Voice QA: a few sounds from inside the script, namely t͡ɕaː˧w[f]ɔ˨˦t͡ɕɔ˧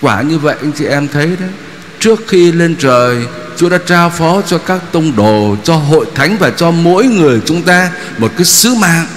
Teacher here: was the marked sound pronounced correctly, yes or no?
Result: yes